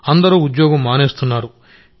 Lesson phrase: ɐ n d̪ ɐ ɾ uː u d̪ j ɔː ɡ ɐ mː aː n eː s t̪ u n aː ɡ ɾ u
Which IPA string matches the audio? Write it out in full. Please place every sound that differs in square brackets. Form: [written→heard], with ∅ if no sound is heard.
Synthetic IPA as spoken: ɐ n d̪ ɐ ɾ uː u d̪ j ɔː ɡ ɐ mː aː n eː s t̪ u [n→nː] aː [ɡ→∅] ɾ u